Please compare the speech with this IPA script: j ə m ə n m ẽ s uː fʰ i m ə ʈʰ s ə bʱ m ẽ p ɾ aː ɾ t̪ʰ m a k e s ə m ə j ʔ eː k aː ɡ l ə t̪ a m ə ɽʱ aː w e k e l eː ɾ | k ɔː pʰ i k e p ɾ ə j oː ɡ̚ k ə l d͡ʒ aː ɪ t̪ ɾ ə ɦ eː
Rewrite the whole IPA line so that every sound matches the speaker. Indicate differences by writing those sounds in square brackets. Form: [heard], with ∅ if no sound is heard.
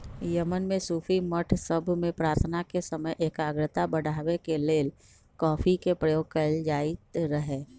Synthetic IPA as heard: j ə m ə n m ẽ s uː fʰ i m ə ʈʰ s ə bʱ m ẽ p ɾ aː ɾ t̪ʰ [n] a k e s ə m ə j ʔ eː k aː ɡ [ɾ] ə t̪ a [b] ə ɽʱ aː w e k e l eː [l] | k ɔː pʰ i k e p ɾ ə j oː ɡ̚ k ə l d͡ʒ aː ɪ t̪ ɾ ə ɦ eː